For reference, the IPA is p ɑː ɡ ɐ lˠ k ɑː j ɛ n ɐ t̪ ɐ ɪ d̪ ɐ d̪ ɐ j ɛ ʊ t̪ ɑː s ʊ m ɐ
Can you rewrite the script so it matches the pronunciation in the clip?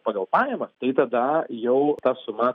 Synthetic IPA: p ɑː ɡ ɐ lˠ p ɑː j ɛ m ɐ t̪ ɐ ɪ t̪ ɐ d̪ ɐ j ɛ ʊ t̪ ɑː s ʊ m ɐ